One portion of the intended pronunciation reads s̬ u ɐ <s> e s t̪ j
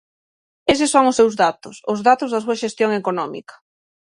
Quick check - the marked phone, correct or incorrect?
incorrect: ʃ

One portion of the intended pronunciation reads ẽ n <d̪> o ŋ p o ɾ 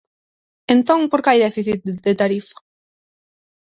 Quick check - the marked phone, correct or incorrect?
incorrect: t̪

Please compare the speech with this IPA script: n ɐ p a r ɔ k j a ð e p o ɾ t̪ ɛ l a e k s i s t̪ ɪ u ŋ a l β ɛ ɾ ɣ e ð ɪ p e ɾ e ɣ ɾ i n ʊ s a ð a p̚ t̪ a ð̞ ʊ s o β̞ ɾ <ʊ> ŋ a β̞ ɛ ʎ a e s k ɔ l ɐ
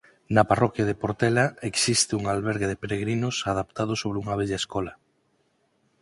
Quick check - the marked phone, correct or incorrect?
incorrect: u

